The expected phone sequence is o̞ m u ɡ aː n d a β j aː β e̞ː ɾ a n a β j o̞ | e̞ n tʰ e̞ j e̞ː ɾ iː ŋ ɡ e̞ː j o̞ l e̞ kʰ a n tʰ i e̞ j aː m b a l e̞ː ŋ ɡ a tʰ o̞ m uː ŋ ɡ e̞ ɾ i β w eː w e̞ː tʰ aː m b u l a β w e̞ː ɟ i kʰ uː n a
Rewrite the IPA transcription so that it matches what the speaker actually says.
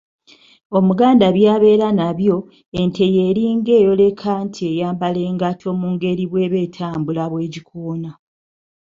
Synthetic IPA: o̞ m u ɡ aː n d a β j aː β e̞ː ɾ a n a β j o̞ | e̞ n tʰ e̞ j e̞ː ɾ iː ŋ ɡ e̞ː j o̞ l e̞ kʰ a n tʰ i e̞ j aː m b a l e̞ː ŋ ɡ a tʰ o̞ m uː ŋ ɡ e̞ ɾ i β w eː β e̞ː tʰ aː m b u l a β w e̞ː ɟ i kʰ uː n a

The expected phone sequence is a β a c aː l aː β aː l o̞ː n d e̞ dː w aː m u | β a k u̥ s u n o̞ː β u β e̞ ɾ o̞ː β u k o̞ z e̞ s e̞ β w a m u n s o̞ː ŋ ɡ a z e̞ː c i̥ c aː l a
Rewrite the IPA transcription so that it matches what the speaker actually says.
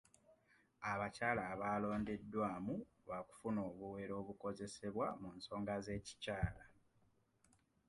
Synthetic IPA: a β a c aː l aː β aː l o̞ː n d e̞ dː w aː m u | β a k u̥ f u n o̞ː β u w e̞ ɾ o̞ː β u k o̞ z e̞ s e̞ β w a m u n s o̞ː ŋ ɡ a z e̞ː c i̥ c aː l a

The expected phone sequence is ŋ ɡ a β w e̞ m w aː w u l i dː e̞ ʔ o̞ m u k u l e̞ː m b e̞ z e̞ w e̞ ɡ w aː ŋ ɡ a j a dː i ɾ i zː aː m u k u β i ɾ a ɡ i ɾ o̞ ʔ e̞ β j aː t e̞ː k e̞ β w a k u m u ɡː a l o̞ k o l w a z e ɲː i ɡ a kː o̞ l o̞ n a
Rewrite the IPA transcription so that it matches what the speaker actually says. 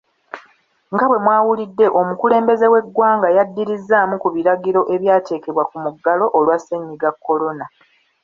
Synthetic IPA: ŋ ɡ a β w e̞ m w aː w u l i dː e̞ ʔ o̞ m u k u l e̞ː m b e̞ z e̞ w e̞ ɡ w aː ŋ ɡ a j a dː i ɾ i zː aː m u k u β i ɾ a ɡ i ɾ o̞ ʔ e̞ β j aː t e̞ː k e̞ β w a k u m u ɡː a l o̞ ʔ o l w a s e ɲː i ɡ a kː o̞ l o̞ n a

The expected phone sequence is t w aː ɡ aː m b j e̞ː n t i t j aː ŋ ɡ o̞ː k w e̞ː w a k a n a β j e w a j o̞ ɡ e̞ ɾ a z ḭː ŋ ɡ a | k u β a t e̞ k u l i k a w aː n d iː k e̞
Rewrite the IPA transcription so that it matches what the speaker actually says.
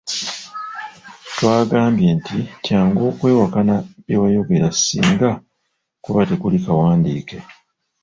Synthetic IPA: t w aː ɡ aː m b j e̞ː n t i t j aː ŋ ɡ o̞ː k w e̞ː w a k a n a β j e w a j o̞ ɡ e̞ ɾ a s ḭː ŋ ɡ a | k u β a t e̞ k u l i k a w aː n d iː k e̞

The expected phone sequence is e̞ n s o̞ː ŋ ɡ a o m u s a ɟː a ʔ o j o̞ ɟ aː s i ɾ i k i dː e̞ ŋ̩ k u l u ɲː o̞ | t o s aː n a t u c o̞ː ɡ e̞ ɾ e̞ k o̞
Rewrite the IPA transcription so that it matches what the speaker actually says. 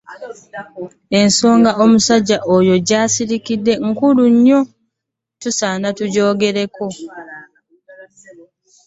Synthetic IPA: e̞ n s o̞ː ŋ ɡ a o m u s a ɟː a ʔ o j o̞ ɟ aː s i ɾ i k i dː e̞ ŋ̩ k u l u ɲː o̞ | t u s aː n a t u ɟ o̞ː ɡ e̞ ɾ e̞ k o̞

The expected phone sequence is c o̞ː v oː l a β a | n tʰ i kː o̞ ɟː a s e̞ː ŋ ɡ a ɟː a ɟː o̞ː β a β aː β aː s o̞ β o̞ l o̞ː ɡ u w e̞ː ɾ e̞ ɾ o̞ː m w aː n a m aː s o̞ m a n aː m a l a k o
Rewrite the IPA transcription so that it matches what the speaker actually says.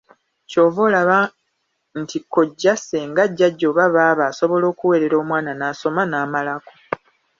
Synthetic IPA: c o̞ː v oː l a β a | n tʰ i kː o̞ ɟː a s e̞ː ŋ ɡ a ɟː a ɟː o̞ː β a β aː β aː s o̞ β o̞ l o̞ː k u w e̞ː ɾ e̞ ɾ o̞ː m w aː n a n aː s o̞ m a n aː m a l a k o

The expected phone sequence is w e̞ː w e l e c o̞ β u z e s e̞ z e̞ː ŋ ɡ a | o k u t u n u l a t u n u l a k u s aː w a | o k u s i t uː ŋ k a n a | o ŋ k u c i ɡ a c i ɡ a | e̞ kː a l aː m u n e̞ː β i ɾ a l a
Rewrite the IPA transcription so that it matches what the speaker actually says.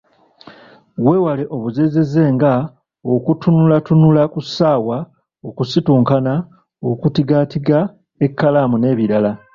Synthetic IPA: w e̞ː w a l e ʔ o̞ β u z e z e̞ z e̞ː ŋ ɡ a | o k u t u n u l a t u n u l a k u s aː w a | o k u s i t uː ŋ k a n a | o k u t i ɡ a t i ɡ a | e̞ kː a l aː m u n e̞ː β i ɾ a l a

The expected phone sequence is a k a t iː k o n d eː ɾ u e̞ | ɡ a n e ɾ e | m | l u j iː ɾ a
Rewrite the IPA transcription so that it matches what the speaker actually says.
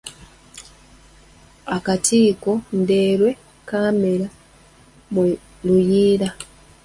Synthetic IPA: a k a t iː k o n d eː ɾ w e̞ | k a m e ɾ a | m | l u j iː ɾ a

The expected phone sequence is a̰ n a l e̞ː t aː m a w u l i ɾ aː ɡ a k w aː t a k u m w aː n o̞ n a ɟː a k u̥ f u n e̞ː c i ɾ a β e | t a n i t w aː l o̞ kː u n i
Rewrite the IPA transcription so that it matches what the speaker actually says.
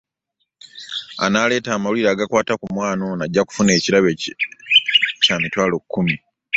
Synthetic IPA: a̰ n a l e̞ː t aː m a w u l i ɾ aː ɡ a k w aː t a k u m w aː n o̞ n a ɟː a k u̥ f u n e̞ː c i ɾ a β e | c a m i t w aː l o̞ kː u m i

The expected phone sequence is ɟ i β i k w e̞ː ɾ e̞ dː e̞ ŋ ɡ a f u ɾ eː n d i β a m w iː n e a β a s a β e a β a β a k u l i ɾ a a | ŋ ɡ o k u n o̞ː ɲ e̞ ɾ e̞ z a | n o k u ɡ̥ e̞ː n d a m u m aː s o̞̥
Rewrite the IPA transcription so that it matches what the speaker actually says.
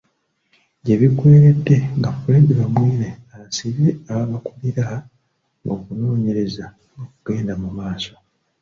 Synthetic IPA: ɟ e β i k w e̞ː ɾ e̞ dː e̞ ŋ ɡ a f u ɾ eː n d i β a m w iː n e a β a s i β e a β a β a k u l i ɾ a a | ŋ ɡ o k u n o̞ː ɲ e̞ ɾ e̞ z a | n o k u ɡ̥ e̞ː n d a m u m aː s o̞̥

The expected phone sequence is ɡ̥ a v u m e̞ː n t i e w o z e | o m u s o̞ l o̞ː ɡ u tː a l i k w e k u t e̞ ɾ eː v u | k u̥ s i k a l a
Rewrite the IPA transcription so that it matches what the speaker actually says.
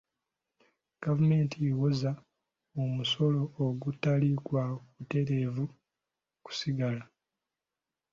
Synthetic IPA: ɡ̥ a v u m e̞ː n t i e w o z a | o m u s o̞ l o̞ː ɡ u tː a l i k w a k u t e̞ ɾ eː v u | k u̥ s i ɡ a l a

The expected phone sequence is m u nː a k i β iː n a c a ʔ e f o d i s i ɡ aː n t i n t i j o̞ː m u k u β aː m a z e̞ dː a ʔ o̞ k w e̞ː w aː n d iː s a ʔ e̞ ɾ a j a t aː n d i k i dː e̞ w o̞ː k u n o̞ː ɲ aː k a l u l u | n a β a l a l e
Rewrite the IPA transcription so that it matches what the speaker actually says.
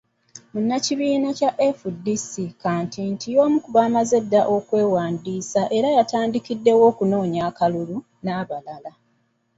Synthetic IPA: m u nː a c i β iː n a c a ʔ e f u d i s i k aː n t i n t i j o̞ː m u k u β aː m a z e̞ dː a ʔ o̞ k w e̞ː w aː n d iː s a ʔ e̞ ɾ a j a t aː n d i k i dː e̞ w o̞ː k u n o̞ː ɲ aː k a l u l u | n a β a l a l a

